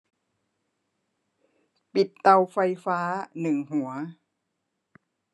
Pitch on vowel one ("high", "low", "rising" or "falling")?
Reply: low